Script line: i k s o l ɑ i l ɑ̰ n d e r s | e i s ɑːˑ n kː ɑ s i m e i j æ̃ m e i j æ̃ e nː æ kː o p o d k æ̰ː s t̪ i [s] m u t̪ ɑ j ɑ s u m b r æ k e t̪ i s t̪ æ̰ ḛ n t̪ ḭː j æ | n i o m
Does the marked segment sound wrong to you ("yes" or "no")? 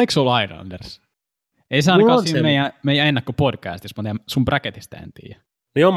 no